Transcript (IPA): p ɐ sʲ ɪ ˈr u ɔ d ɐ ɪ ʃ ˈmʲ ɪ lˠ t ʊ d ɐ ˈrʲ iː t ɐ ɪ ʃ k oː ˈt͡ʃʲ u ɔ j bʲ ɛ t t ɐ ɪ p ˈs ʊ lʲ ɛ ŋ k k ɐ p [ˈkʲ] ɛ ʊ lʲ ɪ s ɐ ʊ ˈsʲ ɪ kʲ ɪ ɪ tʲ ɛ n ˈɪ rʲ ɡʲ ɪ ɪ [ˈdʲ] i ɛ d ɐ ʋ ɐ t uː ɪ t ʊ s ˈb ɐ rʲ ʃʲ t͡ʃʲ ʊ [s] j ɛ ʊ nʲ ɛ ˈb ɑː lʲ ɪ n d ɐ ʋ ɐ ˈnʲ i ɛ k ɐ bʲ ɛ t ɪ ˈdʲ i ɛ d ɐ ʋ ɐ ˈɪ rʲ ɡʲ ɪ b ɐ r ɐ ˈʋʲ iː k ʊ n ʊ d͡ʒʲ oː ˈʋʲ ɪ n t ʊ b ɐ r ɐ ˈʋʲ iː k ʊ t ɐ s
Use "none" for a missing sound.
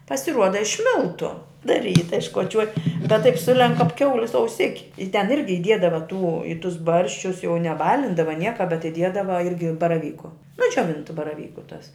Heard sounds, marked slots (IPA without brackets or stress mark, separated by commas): kʲ, dʲ, s